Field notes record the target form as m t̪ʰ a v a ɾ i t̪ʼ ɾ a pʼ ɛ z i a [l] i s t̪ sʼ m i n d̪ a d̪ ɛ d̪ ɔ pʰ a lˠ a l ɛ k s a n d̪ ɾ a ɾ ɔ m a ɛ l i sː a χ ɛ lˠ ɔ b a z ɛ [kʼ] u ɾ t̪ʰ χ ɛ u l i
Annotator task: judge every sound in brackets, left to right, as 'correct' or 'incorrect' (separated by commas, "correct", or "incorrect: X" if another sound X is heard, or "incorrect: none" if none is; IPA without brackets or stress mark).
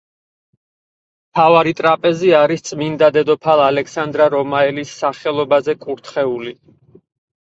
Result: incorrect: ɾ, correct